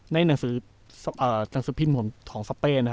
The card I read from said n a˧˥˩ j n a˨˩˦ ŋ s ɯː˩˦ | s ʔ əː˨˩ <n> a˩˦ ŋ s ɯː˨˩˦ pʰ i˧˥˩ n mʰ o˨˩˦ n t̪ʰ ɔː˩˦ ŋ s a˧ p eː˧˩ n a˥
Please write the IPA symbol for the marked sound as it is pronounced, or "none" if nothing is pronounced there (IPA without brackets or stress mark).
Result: n